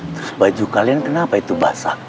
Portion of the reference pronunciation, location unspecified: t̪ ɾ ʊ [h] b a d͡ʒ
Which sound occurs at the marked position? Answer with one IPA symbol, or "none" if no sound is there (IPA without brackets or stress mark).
s